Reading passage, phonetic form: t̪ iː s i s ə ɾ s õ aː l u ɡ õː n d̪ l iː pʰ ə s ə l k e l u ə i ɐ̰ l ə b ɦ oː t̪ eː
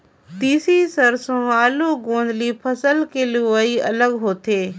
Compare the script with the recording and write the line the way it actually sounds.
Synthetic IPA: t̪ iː s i s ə ɾ s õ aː l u ɡ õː n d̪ l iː pʰ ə s ə l k e l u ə i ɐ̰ l ə ɡ ɦ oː t̪ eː